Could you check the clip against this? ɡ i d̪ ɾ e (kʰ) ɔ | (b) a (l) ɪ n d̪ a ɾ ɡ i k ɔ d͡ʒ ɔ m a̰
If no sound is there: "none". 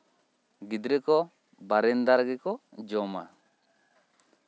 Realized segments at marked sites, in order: k, b, ɾ

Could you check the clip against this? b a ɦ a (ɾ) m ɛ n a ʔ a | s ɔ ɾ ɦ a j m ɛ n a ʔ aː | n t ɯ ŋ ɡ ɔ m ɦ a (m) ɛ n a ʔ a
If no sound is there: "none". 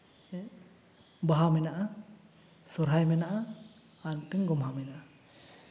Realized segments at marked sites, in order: none, m

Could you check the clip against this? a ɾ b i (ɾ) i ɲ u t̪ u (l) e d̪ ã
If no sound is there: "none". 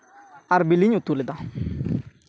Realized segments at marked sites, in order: l, l

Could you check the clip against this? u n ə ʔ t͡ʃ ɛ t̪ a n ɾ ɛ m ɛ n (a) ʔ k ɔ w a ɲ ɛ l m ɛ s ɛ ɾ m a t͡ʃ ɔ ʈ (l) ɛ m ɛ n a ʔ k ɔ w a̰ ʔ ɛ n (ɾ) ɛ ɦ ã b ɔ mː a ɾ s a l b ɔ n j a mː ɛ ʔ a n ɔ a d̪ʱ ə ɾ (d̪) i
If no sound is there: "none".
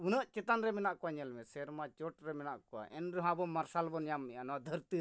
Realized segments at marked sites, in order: a, ɾ, ɾ, t̪

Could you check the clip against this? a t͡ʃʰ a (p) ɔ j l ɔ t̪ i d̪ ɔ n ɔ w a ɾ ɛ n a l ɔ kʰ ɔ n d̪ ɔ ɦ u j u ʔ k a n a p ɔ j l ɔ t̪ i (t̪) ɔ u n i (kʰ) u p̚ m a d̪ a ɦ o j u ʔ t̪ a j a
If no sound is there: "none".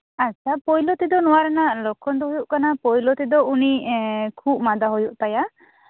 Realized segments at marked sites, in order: p, d̪, kʰ

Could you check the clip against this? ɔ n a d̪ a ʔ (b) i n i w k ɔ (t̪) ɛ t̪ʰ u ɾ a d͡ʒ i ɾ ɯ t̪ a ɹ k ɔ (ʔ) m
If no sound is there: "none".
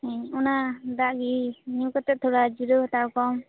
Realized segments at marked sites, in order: ɡ, t̪, none

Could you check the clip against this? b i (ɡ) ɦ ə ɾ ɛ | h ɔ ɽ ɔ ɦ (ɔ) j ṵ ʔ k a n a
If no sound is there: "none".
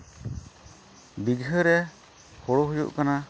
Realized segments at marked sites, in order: ɡ, u

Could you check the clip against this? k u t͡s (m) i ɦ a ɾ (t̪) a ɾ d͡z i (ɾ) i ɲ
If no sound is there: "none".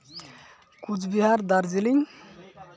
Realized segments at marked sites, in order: b, d̪, l

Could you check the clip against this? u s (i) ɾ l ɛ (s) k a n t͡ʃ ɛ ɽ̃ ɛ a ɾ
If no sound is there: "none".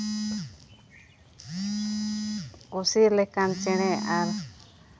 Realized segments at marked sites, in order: i, none

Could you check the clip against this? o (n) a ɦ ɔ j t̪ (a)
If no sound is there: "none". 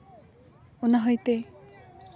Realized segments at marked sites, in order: n, e

